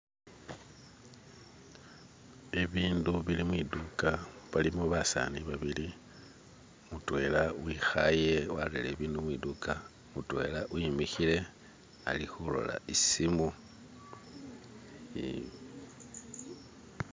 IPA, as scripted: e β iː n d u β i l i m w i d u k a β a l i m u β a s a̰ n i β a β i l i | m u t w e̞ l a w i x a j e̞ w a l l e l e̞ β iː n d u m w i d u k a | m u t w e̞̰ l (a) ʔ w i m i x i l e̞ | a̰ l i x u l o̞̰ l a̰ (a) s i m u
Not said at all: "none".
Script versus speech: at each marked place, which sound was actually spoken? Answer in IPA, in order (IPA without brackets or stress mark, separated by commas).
a, i